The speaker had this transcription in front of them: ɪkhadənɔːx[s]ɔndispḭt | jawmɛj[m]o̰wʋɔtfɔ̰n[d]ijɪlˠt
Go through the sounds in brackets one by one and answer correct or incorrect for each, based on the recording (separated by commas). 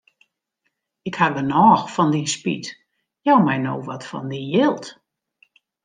incorrect, incorrect, correct